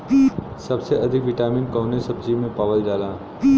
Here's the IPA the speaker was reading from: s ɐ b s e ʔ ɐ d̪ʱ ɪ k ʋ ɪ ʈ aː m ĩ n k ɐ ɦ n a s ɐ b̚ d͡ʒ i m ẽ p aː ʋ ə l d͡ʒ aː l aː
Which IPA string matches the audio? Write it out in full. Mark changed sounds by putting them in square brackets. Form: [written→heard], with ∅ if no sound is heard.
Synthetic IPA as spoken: s ɐ b s e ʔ ɐ d̪ʱ ɪ k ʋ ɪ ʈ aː m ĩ n k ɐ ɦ n [a→e] s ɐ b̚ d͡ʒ i m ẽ p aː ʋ ə l d͡ʒ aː l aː